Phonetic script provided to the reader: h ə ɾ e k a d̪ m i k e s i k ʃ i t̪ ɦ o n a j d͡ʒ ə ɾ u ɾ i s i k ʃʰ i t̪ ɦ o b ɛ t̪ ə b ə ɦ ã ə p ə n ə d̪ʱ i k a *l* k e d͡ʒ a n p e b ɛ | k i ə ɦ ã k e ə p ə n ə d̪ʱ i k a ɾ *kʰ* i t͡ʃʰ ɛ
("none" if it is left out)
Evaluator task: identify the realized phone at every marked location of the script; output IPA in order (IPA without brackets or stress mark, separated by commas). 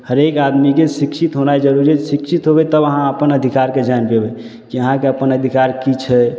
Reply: ɾ, k